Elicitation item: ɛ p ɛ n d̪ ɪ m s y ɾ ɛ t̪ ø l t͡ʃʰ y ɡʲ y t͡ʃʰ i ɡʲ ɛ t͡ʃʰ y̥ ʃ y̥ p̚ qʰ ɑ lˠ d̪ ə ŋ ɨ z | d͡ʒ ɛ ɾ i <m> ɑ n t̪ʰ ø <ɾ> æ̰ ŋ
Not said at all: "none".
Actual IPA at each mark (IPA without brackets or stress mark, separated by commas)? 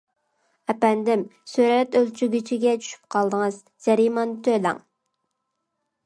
m, l